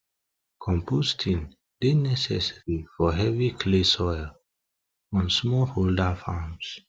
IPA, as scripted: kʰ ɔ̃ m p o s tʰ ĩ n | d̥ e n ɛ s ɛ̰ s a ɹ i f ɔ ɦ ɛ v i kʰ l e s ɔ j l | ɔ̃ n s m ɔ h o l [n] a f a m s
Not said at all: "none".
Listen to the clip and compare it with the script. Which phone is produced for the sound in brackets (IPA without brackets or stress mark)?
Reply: d